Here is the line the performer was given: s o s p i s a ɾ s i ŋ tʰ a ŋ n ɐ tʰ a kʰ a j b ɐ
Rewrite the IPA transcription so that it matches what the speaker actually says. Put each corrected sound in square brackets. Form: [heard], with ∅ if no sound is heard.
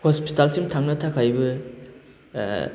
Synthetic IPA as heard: [h] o s p i [t] a [l] s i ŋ tʰ a ŋ n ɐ tʰ a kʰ a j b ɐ